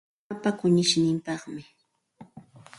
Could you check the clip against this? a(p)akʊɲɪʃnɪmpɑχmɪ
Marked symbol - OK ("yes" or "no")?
yes